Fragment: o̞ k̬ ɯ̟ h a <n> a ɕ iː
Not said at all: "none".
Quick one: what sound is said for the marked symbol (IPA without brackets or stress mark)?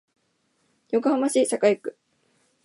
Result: m